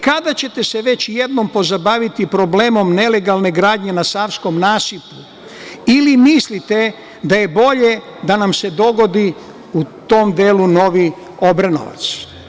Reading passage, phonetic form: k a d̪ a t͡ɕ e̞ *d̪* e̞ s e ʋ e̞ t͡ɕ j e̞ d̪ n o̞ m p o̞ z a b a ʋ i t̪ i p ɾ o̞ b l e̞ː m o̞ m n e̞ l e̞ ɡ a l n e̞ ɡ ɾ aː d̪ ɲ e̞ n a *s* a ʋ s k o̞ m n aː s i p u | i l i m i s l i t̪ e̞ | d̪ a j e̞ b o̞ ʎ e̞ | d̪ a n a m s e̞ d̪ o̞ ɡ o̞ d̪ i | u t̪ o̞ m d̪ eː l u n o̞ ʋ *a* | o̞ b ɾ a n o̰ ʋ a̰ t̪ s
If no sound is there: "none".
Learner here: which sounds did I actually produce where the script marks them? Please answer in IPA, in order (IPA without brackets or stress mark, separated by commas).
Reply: t̪, s, i